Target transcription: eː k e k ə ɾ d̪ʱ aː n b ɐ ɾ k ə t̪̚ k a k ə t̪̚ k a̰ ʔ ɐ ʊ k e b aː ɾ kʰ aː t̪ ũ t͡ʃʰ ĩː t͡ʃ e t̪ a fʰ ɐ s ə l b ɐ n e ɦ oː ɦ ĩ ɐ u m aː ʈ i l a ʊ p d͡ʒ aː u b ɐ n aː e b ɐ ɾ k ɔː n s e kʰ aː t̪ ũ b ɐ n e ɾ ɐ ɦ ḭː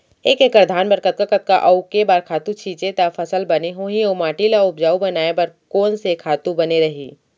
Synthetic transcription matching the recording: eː k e k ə ɾ d̪ʱ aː n b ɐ ɾ k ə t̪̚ k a k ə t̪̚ k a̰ ʔ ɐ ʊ k e b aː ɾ kʰ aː t̪ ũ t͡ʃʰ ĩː t͡ʃ e t̪ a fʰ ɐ s ə l b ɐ n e ɦ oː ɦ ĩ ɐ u m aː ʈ i l a ʊ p d͡ʒ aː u b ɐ n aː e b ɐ ɾ k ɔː n s e kʰ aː t̪ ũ b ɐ n e ɾ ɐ ɦ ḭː